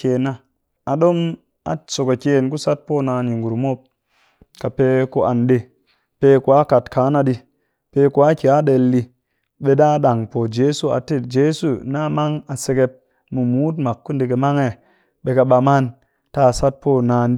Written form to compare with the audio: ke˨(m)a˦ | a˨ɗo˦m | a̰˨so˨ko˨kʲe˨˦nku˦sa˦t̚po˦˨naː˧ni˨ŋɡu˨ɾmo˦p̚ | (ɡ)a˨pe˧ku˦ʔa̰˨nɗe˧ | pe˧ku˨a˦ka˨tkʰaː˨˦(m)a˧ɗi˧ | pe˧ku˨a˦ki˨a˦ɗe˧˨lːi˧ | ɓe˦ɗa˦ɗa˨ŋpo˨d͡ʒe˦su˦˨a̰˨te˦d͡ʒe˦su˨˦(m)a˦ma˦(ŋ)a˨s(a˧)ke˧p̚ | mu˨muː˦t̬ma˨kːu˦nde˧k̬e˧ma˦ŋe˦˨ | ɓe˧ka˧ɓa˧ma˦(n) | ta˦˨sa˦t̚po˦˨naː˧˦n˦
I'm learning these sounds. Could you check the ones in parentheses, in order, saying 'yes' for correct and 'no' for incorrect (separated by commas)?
no, no, no, no, yes, no, yes